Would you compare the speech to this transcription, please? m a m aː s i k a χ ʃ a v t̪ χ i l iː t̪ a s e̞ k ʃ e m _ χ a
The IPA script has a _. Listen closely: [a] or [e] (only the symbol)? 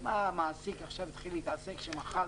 a